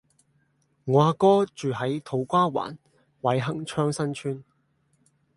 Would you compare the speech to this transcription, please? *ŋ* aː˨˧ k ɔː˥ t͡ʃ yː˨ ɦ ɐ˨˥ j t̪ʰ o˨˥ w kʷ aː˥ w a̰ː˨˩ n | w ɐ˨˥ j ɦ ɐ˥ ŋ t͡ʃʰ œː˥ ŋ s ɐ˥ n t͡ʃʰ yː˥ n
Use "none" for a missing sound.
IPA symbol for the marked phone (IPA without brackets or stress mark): ŋ